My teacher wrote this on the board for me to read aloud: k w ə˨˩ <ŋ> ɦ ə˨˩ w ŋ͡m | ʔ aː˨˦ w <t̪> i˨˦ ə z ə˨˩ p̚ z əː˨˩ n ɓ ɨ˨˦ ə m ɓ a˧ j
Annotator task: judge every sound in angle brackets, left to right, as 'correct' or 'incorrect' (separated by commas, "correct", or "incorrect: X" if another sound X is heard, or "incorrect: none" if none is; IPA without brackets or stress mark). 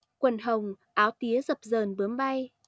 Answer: incorrect: n, correct